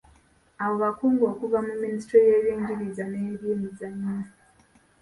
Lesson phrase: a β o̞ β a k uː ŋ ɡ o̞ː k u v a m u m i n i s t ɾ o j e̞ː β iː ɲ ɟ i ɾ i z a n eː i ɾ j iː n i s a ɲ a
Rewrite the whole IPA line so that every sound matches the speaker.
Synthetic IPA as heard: a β o̞ β a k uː ŋ ɡ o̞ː k u v a m u m i n i s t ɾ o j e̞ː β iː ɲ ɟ i ɾ i z a n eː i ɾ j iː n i z a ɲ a